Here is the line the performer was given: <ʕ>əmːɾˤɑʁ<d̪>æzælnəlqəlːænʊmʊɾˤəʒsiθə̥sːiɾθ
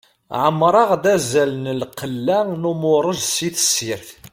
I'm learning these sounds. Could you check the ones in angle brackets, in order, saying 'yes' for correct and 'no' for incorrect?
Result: yes, yes

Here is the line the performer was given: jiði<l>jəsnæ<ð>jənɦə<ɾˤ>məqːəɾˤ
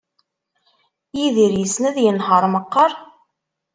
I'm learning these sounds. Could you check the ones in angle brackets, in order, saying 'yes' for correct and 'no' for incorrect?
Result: no, yes, yes

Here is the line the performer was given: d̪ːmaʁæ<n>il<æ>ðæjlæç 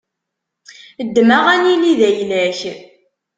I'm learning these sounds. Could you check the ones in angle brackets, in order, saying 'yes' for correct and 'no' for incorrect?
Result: yes, no

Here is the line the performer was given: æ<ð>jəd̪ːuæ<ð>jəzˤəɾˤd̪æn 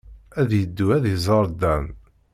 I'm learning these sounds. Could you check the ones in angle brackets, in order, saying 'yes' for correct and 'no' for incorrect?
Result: yes, yes

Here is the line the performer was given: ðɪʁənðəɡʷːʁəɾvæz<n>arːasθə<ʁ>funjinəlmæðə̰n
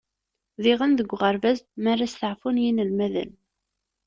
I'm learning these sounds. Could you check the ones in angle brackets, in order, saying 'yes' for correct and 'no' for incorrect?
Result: no, no

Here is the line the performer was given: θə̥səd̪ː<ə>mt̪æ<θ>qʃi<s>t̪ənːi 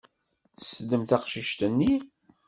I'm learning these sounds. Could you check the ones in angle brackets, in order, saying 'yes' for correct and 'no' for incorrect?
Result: yes, no, no

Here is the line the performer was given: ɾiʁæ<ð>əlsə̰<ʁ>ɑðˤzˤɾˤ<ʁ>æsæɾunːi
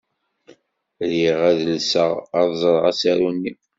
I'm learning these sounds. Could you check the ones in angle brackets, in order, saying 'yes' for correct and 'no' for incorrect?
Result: yes, yes, yes

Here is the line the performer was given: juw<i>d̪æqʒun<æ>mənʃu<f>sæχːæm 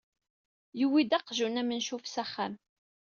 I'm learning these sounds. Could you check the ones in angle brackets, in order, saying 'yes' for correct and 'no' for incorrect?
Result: yes, yes, yes

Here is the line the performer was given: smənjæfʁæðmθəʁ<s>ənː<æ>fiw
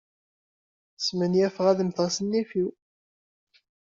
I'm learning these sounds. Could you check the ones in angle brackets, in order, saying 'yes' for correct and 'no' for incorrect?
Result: yes, no

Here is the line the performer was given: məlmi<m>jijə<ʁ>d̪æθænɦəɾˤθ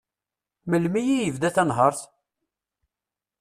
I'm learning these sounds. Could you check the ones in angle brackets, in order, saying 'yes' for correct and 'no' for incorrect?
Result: no, no

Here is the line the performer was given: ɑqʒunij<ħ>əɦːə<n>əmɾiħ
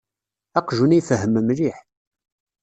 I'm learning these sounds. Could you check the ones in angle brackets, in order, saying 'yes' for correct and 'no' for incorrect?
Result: no, no

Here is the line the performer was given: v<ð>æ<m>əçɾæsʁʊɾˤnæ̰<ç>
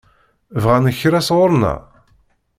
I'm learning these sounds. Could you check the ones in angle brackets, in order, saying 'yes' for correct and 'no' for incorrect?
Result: no, no, no

